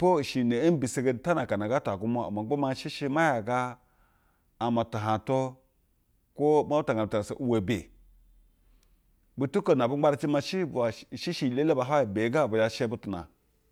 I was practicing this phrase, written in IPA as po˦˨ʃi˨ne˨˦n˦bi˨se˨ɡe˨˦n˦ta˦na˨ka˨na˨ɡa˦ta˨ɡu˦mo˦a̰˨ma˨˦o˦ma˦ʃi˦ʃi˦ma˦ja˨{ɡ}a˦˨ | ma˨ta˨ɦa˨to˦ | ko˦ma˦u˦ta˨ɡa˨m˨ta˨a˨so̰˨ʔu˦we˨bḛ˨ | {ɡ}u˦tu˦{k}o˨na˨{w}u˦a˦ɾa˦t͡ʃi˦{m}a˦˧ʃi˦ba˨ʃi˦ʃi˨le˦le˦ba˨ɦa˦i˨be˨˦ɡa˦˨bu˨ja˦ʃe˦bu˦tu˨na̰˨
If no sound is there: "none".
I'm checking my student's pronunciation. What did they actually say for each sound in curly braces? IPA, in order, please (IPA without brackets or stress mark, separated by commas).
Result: ɡ, b, k, b, m